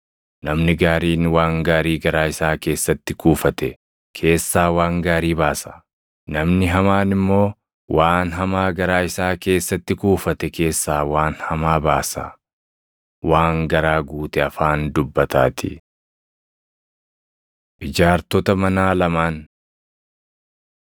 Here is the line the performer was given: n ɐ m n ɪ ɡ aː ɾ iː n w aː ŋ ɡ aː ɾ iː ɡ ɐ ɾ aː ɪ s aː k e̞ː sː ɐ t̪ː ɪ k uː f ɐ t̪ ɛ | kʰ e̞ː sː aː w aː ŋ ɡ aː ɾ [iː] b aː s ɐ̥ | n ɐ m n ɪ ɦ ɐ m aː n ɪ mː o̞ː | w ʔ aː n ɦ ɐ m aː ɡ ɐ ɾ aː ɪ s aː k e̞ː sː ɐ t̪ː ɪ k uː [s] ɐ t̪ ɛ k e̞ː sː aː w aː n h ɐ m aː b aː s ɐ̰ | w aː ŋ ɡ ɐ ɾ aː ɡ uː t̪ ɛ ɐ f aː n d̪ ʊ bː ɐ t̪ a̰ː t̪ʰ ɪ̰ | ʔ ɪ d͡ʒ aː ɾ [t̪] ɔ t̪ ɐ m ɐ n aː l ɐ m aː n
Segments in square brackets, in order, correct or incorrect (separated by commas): correct, incorrect, correct